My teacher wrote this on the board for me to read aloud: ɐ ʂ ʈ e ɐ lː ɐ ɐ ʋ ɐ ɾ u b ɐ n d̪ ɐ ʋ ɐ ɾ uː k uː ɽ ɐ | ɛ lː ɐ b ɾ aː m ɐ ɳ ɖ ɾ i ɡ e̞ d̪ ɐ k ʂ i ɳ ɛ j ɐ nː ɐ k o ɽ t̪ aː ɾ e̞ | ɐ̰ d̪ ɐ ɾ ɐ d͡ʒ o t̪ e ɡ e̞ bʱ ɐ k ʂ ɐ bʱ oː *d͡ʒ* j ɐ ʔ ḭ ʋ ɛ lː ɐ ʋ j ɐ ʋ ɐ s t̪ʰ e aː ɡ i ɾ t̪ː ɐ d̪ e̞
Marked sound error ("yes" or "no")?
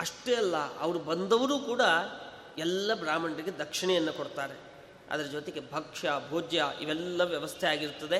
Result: no